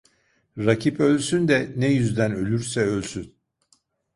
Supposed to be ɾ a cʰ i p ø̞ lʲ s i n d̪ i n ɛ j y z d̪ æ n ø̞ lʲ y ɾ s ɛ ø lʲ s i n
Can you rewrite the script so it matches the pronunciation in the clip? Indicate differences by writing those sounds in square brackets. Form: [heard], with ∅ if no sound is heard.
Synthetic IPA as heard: ɾ a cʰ i p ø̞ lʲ s [y] n d̪ [ɛ] n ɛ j y z d̪ æ n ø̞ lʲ y ɾ s ɛ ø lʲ s [y] n

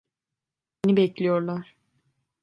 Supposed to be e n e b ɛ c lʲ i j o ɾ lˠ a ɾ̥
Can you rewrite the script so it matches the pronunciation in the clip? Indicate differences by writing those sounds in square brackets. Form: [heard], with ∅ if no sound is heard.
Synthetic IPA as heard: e n [i] b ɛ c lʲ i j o ɾ lˠ a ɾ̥

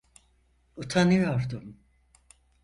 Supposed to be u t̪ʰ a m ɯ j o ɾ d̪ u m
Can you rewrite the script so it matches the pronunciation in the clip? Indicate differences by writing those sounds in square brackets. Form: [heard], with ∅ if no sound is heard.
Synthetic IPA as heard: u t̪ʰ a [n] ɯ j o ɾ d̪ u m

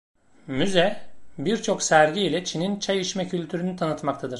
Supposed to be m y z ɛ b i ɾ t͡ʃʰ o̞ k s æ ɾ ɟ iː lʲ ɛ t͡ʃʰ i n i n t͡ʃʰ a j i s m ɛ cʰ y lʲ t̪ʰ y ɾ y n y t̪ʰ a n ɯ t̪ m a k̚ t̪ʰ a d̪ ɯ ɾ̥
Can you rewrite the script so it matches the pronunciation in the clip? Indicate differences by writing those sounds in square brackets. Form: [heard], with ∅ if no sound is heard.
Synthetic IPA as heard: m y z ɛ b i ɾ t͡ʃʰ o̞ k s æ ɾ ɟ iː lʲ ɛ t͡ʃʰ i n i n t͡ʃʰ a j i [ʃ] m ɛ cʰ y lʲ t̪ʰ y ɾ y n y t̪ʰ a n ɯ t̪ m a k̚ t̪ʰ a d̪ ɯ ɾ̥

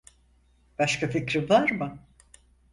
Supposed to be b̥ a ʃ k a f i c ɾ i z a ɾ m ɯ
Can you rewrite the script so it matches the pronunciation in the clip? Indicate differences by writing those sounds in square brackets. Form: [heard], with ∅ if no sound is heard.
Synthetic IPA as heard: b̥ a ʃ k a f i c ɾ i [v] a ɾ m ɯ

